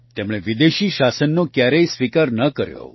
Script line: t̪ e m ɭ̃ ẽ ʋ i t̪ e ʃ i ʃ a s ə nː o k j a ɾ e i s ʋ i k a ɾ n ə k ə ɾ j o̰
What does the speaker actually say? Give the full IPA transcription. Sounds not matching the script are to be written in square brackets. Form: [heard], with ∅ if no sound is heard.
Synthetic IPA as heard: t̪ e m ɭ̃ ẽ ʋ i [d̪] e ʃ i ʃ a s ə nː o k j a ɾ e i s ʋ i k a ɾ n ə k ə ɾ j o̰